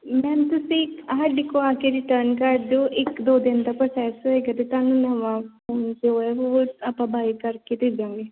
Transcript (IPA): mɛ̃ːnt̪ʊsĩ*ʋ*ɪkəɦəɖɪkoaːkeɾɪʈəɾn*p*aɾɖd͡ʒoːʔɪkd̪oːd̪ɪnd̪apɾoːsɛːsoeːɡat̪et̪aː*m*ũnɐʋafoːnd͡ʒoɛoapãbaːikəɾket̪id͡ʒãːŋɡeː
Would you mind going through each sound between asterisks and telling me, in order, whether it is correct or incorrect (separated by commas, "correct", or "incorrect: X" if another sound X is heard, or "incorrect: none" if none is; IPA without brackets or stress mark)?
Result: incorrect: none, incorrect: k, incorrect: n